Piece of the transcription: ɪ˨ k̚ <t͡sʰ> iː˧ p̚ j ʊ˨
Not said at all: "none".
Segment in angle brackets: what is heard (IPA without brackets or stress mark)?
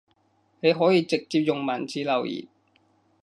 t͡s